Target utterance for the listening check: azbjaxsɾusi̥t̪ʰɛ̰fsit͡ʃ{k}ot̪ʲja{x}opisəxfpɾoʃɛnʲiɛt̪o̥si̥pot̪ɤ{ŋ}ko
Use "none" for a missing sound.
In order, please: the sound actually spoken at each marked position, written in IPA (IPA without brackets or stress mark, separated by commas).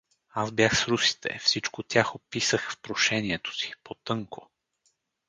k, x, ŋ